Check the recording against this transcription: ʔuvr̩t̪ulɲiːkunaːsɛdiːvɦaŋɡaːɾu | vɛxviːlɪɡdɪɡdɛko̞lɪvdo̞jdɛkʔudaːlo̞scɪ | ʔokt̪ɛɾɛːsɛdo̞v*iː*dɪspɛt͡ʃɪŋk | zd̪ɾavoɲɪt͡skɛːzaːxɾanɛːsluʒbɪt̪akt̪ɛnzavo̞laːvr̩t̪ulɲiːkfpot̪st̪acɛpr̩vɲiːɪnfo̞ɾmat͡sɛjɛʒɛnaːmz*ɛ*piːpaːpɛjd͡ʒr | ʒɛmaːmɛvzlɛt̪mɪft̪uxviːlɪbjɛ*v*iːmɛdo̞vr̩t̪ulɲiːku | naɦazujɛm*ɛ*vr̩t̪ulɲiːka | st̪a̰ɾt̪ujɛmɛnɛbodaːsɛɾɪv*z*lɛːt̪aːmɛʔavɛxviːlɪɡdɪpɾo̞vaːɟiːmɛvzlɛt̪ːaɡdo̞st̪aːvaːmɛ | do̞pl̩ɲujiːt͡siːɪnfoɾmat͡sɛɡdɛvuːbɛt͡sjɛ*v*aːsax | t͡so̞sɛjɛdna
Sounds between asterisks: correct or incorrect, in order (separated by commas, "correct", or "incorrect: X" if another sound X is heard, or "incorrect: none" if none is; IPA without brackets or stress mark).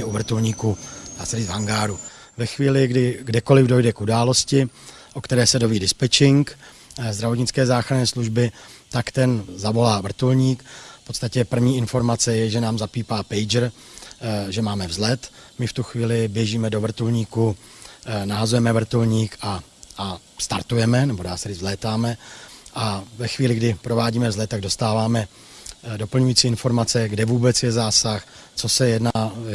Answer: correct, incorrect: a, incorrect: ʒ, correct, correct, incorrect: z